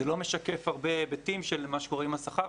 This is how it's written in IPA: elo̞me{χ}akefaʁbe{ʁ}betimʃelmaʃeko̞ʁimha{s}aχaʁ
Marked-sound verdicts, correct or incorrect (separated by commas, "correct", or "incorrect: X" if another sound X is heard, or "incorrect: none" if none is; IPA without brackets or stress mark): incorrect: ʃ, incorrect: none, correct